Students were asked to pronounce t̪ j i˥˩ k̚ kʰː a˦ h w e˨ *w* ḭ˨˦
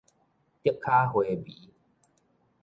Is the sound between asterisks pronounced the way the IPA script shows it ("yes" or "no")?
no